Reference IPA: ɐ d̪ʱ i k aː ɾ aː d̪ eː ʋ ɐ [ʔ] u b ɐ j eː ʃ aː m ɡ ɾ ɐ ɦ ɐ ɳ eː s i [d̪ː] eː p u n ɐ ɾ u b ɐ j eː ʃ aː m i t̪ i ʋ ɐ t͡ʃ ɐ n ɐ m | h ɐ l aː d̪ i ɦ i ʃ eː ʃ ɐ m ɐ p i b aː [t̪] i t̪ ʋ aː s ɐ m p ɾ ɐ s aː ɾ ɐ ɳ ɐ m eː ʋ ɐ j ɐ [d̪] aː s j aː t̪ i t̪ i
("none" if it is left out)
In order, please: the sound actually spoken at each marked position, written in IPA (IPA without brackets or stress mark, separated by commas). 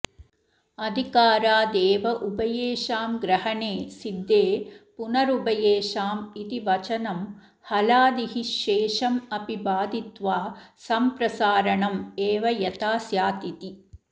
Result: ʔ, d̪ː, d̪, t̪